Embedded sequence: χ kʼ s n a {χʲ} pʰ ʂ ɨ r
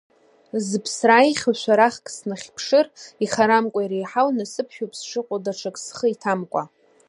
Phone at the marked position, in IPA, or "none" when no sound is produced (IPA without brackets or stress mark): χʲ